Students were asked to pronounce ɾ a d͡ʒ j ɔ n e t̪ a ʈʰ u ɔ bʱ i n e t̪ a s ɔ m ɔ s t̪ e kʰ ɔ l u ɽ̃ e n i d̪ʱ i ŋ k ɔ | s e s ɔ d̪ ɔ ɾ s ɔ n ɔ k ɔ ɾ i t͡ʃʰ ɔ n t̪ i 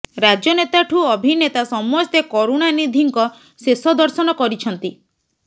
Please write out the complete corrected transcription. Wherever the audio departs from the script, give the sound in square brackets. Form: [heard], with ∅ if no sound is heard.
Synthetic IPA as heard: ɾ a d͡ʒ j ɔ n e t̪ a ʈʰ u ɔ bʱ i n e t̪ a s ɔ m ɔ s t̪ e [k] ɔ [ɾ] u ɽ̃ [a] n i d̪ʱ i ŋ k ɔ | s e s ɔ d̪ ɔ ɾ s ɔ n ɔ k ɔ ɾ i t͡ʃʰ ɔ n t̪ i